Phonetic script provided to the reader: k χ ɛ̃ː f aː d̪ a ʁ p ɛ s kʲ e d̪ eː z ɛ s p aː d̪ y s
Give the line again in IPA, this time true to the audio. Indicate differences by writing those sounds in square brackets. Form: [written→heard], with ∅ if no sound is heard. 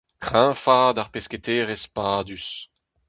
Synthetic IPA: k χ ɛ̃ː f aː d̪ a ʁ p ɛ s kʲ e [d̪→t̪] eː [z→ʁ] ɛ s p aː d̪ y s